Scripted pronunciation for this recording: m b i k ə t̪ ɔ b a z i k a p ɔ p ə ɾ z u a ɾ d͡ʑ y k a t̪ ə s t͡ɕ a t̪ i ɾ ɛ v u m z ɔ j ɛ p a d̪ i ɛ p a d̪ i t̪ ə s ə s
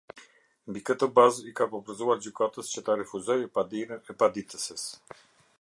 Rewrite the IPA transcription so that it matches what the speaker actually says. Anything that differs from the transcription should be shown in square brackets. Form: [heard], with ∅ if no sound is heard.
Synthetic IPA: m b i k ə t̪ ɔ b a z i k a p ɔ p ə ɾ z u a ɾ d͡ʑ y k a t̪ ə s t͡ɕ [ə] t̪ [a] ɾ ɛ [f] u [∅] z ɔ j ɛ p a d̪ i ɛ p a d̪ i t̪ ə s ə s